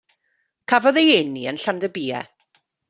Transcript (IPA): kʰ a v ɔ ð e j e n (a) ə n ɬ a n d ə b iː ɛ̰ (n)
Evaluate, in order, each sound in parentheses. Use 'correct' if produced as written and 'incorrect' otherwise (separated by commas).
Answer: incorrect, incorrect